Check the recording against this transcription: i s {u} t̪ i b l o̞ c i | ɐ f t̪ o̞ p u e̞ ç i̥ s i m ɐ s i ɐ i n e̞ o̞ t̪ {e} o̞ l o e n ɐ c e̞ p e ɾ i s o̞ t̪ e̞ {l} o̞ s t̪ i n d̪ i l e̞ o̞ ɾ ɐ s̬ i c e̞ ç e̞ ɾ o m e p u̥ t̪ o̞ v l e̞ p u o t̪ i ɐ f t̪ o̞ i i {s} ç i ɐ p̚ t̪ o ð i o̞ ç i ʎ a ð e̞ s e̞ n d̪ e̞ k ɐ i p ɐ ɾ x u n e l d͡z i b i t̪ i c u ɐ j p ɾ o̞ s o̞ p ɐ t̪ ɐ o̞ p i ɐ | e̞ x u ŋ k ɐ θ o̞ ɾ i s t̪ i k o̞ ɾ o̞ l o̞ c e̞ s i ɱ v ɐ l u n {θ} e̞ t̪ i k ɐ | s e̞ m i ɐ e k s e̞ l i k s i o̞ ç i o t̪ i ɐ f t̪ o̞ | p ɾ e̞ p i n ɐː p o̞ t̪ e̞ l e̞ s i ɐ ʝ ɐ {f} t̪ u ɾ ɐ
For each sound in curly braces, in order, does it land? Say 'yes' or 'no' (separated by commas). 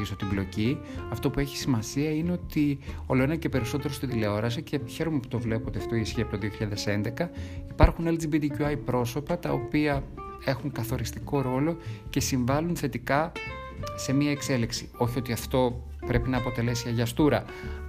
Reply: no, no, no, yes, yes, no